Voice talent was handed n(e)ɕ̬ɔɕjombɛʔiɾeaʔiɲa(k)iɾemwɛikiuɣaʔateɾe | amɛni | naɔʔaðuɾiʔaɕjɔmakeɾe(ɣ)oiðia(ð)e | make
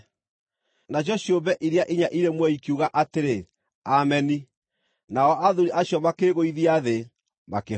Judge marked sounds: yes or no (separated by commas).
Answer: no, no, yes, yes